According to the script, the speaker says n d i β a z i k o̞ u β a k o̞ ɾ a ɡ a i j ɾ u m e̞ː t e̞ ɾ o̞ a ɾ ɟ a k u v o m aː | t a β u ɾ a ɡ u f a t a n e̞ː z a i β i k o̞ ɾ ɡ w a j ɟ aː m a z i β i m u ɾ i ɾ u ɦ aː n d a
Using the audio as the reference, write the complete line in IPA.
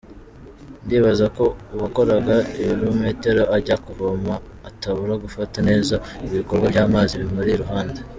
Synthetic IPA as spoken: n d i β a z a k o̞ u β a k o̞ ɾ a ɡ a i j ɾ u m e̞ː t e̞ ɾ o̞ a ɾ ɟ a k u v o m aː | t a β u ɾ a ɡ u f a t a n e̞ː z a i β i k o̞ ɾ ɡ w a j ɟ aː m a z i β i m u ɾ i ɾ u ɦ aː n d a